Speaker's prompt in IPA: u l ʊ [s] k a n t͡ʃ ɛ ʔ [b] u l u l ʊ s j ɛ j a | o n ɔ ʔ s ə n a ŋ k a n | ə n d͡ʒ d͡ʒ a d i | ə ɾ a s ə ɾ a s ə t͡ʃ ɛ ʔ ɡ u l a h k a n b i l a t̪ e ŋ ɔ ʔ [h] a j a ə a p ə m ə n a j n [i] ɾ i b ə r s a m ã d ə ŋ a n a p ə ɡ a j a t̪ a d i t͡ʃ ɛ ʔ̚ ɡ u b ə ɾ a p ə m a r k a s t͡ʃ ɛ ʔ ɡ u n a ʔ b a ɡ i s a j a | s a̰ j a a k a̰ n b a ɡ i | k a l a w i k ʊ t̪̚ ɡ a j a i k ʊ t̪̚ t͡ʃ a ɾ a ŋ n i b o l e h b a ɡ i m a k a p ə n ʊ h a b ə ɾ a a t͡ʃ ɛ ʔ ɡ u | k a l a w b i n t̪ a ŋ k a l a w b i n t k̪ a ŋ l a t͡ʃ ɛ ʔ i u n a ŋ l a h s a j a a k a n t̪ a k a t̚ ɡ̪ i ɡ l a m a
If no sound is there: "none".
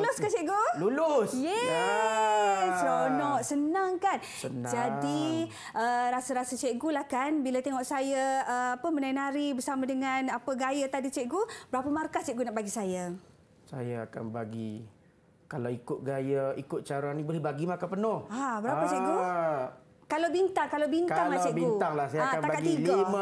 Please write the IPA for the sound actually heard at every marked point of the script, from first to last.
s, ɡ, s, a

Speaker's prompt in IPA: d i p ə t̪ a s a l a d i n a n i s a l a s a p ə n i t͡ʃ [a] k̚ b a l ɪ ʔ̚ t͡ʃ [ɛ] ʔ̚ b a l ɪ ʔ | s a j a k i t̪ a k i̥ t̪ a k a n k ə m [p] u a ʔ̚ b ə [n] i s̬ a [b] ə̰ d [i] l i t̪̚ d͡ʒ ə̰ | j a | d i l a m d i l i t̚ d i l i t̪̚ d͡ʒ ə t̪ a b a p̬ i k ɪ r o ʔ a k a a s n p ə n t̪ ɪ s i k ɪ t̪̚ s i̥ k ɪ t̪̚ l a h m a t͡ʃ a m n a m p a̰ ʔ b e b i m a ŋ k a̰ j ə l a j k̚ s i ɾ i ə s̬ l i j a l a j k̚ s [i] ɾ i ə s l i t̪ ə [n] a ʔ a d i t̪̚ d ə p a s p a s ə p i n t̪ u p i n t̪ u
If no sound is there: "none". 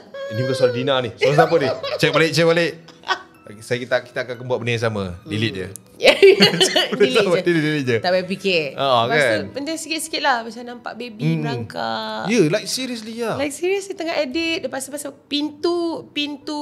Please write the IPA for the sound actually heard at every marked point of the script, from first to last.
ɛ, ɛ, b, n, m, i, i, ŋ

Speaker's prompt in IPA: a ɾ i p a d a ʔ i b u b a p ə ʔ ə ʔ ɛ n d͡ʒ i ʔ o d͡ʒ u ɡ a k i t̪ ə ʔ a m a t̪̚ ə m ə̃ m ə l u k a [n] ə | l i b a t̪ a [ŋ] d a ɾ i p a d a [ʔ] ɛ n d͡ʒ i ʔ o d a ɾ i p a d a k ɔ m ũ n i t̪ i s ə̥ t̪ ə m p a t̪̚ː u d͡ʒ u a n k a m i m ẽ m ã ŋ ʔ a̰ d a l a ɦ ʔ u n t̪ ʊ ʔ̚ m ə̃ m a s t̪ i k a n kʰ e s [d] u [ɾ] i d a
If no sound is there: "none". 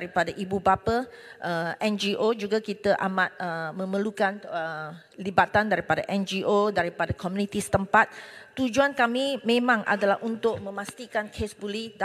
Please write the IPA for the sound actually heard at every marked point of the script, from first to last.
n, n, ʔ, b, l

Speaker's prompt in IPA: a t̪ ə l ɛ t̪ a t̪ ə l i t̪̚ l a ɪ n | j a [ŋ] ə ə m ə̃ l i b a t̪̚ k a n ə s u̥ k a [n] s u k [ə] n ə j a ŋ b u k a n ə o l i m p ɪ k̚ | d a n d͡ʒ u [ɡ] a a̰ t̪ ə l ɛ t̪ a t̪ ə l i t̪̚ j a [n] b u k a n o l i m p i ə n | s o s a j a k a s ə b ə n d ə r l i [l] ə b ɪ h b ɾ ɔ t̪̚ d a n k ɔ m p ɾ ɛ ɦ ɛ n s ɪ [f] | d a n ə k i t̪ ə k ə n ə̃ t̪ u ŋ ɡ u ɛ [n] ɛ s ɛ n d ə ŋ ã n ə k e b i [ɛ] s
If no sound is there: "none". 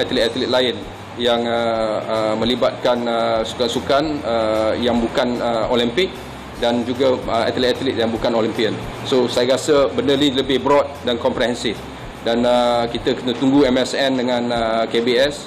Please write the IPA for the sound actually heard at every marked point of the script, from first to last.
ŋ, n, a, ɡ, ŋ, l, f, m, ɛ

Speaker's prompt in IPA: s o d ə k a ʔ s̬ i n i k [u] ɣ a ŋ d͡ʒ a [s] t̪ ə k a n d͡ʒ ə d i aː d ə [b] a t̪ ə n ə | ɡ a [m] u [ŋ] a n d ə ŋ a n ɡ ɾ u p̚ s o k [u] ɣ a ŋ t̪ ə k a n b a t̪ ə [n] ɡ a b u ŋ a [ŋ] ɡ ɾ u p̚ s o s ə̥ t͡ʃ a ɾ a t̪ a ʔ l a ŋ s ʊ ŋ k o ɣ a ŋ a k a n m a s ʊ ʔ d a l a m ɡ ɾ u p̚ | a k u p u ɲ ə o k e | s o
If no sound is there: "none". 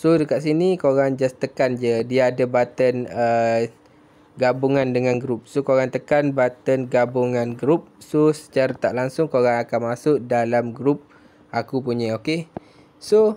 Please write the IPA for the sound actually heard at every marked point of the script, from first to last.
o, s, b, b, ŋ, o, n, n

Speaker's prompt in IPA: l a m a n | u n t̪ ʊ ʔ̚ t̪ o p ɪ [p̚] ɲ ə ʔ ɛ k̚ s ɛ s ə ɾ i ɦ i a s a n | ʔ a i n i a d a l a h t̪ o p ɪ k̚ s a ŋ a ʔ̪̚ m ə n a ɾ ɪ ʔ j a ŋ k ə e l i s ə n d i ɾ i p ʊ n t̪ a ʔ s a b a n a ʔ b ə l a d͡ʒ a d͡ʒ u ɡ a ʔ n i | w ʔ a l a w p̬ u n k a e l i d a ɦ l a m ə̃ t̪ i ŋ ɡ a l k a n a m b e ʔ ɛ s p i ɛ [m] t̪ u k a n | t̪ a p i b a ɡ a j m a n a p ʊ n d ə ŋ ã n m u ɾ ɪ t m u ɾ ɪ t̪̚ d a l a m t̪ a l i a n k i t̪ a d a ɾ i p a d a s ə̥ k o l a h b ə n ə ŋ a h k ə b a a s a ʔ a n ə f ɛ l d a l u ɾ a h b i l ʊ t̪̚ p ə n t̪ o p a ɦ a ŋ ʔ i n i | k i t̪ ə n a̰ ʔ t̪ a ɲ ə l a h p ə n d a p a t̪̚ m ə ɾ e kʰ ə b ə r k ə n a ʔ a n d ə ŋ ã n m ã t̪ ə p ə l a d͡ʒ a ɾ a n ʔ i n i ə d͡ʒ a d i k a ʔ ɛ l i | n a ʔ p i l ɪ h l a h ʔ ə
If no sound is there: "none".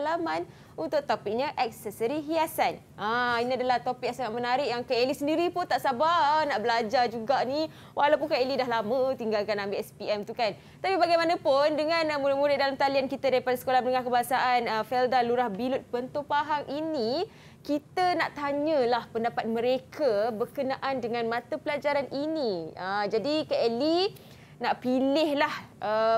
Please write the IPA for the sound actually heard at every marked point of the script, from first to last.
k̚, m

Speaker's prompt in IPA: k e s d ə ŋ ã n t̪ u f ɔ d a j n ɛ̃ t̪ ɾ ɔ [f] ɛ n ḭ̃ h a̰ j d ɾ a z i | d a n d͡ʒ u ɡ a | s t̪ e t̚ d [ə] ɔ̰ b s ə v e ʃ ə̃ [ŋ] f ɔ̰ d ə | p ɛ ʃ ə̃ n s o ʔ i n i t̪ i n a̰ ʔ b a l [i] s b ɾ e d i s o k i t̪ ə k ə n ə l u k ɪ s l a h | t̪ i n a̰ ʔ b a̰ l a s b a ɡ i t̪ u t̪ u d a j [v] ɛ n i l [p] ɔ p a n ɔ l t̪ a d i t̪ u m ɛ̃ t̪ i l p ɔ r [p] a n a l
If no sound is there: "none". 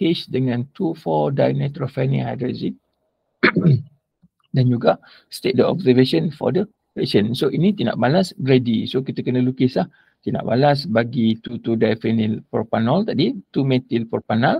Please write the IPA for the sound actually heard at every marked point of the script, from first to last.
f, ə, n, a, f, p, p

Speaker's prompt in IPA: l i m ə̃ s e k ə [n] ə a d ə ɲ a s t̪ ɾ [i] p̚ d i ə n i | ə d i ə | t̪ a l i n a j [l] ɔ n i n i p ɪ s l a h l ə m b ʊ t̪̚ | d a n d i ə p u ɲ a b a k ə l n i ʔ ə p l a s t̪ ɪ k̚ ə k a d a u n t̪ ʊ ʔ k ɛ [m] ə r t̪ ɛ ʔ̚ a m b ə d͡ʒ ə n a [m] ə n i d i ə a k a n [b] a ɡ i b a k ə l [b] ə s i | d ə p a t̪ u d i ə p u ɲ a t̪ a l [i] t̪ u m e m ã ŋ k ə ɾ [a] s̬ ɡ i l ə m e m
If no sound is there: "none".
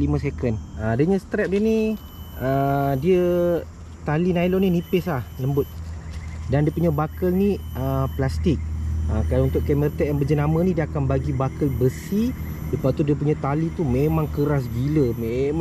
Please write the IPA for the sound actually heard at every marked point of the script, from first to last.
n, ɛ, l, m, m, b, b, i, a

